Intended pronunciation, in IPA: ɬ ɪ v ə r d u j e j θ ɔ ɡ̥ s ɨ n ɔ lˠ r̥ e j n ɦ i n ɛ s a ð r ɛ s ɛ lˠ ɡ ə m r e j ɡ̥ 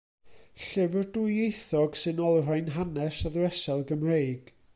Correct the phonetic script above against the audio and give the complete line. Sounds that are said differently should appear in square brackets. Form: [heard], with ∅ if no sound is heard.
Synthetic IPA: ɬ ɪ v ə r d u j e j θ ɔ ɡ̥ s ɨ n ɔ lˠ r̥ [a] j n ɦ [a] n ɛ s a ð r ɛ s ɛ lˠ ɡ ə m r e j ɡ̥